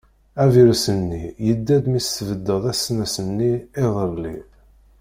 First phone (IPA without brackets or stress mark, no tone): æ